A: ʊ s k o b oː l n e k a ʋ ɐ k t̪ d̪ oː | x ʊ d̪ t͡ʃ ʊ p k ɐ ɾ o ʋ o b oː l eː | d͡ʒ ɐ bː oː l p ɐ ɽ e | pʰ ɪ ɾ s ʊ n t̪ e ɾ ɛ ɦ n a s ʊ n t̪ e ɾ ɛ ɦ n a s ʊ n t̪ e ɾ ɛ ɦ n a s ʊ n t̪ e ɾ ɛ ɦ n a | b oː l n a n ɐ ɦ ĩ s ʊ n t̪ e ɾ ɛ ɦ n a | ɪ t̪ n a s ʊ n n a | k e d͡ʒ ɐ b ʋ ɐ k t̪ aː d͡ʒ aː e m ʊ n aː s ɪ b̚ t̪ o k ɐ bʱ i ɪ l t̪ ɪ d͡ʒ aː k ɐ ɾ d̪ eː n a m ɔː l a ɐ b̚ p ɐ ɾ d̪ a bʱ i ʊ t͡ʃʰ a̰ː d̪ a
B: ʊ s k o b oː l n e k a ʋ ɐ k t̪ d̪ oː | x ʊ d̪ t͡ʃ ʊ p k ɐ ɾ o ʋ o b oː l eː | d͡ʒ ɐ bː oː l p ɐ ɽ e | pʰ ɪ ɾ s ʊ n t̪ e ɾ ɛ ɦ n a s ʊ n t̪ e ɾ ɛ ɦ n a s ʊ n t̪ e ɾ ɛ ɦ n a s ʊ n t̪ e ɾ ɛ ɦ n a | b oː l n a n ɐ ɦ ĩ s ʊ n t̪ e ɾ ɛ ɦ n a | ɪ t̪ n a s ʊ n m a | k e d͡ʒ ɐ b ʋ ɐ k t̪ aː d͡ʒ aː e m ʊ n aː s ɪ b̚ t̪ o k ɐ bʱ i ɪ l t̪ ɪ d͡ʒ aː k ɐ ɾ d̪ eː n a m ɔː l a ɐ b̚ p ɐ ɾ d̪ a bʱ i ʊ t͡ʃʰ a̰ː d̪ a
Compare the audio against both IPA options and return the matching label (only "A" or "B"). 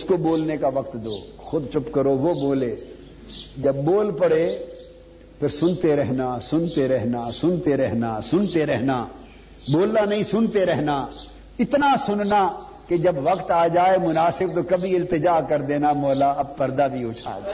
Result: A